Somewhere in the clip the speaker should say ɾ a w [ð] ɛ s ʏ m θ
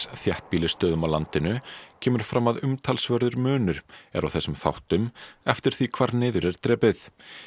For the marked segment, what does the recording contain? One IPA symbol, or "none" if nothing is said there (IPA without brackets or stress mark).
θ